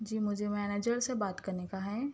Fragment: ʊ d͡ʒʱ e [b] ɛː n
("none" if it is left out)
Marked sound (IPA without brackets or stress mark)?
m